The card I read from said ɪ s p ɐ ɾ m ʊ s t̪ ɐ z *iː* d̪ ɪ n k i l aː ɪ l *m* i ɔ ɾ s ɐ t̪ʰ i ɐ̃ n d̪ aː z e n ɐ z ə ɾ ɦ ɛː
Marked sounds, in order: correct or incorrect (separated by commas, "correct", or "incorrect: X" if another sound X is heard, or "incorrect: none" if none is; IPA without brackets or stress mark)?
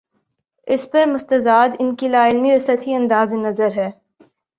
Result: incorrect: aː, correct